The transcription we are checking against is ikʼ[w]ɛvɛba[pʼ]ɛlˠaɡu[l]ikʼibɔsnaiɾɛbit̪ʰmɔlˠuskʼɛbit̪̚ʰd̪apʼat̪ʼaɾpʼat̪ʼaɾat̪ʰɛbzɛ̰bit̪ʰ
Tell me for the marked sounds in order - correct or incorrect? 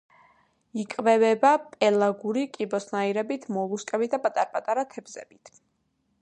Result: incorrect: v, correct, incorrect: ɾ

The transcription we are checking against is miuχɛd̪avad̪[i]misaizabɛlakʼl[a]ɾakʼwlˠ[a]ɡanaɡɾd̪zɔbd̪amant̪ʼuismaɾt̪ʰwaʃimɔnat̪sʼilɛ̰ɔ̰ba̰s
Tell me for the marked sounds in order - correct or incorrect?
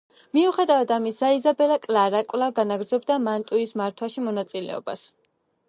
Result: incorrect: a, correct, correct

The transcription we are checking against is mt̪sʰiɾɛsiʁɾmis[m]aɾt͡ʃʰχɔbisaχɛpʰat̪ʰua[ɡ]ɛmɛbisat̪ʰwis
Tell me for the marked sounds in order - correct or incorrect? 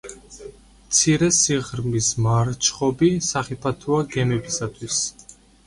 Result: correct, correct

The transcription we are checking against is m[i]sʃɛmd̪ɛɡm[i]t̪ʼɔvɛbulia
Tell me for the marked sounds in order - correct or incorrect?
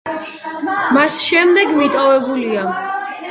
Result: incorrect: a, correct

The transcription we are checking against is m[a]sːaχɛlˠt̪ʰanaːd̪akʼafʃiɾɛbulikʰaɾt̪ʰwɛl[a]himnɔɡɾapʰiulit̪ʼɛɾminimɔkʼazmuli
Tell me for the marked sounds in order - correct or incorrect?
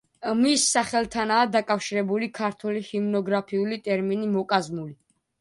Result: incorrect: i, incorrect: i

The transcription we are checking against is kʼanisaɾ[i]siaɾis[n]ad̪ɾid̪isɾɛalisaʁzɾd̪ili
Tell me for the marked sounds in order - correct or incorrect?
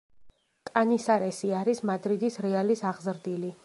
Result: incorrect: ɛ, incorrect: m

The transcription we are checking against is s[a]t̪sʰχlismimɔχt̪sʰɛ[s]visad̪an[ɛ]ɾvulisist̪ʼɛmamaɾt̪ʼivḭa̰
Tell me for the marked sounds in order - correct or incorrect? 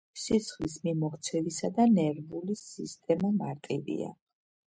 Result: incorrect: i, incorrect: none, correct

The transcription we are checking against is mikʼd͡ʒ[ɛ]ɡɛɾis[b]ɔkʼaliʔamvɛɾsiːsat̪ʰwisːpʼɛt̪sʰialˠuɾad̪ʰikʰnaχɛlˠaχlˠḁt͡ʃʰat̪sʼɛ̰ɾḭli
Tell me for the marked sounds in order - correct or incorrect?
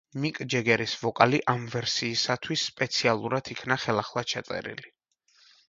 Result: correct, incorrect: v

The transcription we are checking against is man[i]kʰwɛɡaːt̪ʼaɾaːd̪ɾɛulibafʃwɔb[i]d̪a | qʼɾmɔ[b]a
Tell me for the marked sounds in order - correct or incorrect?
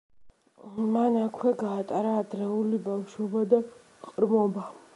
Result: incorrect: a, incorrect: a, correct

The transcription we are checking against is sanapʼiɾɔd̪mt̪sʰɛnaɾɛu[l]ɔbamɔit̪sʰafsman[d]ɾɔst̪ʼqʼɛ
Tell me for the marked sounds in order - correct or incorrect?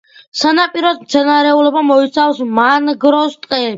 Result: correct, incorrect: ɡ

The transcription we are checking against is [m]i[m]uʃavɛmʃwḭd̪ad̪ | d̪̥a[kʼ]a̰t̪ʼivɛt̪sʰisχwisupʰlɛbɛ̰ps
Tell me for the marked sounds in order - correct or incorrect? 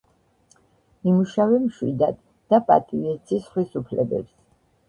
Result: correct, correct, incorrect: pʼ

